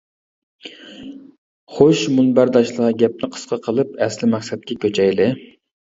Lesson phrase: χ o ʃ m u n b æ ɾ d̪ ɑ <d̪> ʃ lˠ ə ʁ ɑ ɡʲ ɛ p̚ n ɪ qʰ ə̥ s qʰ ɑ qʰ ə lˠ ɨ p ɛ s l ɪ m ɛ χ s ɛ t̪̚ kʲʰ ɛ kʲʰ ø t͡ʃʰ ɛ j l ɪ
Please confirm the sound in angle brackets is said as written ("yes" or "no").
no